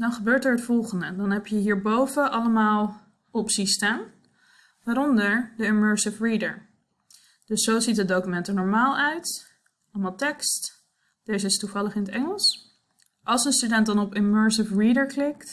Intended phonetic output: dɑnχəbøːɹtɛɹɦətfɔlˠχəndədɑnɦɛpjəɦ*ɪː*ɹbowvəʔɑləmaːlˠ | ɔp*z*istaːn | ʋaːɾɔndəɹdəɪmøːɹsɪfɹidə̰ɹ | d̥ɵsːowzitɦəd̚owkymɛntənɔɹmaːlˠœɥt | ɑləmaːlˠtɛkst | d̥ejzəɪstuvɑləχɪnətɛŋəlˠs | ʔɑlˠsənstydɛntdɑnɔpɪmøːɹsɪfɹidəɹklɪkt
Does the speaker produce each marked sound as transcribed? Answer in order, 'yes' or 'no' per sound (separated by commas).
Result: no, no